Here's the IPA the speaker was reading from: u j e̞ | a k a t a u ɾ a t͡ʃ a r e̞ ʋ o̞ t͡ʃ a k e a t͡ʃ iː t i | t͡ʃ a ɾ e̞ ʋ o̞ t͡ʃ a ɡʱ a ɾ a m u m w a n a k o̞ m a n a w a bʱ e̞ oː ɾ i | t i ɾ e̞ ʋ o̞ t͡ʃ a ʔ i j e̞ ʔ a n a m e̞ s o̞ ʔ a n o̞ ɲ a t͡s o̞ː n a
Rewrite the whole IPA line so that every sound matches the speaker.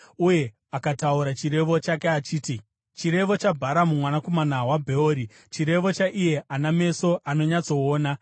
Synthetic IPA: u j e̞ | a k a t a u ɾ a t͡ʃ i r e̞ ʋ o̞ t͡ʃ a k e a t͡ʃ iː t i | t͡ʃ i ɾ e̞ ʋ o̞ t͡ʃ a bʱ a ɾ a m u m w a n a k o̞ m a n a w a bʱ e̞ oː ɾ i | t͡ʃ i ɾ e̞ ʋ o̞ t͡ʃ a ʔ i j e̞ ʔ a n a m e̞ s o̞ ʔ a n o̞ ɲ a t͡s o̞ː n a